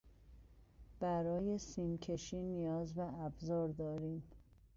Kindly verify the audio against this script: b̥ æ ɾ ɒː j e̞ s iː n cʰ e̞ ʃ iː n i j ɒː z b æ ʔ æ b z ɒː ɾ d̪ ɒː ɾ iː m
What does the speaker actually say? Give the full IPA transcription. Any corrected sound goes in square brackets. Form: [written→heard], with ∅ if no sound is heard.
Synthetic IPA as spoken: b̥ æ ɾ ɒː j e̞ s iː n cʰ e̞ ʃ iː n i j ɒː z b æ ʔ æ b z ɒː ɾ d̪ ɒː ɾ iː m

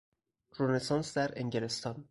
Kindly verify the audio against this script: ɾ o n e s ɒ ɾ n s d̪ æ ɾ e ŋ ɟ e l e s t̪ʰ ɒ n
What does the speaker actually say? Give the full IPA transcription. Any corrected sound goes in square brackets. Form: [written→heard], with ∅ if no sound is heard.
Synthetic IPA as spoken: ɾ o n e s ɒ [ɾ→∅] n s d̪ æ ɾ e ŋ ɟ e l e s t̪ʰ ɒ n

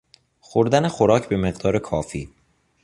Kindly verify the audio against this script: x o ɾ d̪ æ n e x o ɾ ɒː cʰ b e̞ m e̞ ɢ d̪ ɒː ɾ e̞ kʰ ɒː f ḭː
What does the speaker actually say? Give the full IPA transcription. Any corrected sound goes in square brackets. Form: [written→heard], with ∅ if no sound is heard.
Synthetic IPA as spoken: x o ɾ d̪ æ n e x o ɾ ɒː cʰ b e̞ m e̞ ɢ d̪ ɒː ɾ e̞ kʰ ɒː f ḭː

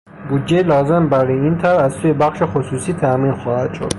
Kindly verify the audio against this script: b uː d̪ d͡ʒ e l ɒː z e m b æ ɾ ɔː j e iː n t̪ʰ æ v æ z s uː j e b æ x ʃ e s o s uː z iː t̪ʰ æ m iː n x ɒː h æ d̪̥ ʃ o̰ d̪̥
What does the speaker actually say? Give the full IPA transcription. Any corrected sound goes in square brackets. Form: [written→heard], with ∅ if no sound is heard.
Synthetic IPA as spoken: b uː d̪ d͡ʒ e l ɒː z e m b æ ɾ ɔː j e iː n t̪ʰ æ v æ z s uː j e b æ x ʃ e [s→x] o s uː [z→s] iː t̪ʰ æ m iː n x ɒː h æ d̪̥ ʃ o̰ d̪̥

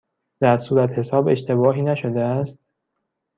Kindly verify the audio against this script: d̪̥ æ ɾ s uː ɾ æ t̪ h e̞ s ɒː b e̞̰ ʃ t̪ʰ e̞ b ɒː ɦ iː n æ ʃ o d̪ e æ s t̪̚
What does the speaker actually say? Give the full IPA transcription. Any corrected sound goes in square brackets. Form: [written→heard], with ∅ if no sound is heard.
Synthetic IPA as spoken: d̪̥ æ ɾ s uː ɾ æ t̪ h e̞ s ɒː b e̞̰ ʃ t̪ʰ e̞ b ɒː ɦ iː n æ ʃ o d̪ e æ s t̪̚

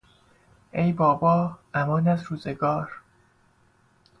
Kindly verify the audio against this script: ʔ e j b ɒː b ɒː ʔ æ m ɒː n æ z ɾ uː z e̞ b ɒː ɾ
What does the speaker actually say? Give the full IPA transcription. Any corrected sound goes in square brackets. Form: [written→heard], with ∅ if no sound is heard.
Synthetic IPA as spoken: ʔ e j b ɒː b ɒː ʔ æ m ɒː n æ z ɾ uː z e̞ [b→ɡ] ɒː ɾ

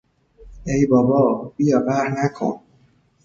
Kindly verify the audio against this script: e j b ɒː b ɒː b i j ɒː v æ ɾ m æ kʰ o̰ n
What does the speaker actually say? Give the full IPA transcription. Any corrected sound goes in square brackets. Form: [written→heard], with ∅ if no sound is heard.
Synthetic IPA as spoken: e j b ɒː b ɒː b i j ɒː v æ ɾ [m→n] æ kʰ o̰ n

